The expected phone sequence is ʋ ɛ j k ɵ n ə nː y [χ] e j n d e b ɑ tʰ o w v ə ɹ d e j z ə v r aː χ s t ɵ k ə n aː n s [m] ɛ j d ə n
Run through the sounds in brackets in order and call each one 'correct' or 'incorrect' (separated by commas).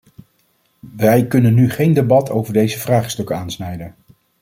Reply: correct, incorrect